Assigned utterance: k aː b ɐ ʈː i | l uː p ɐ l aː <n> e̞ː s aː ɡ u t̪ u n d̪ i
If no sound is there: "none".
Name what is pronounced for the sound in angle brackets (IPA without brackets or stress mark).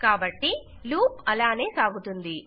n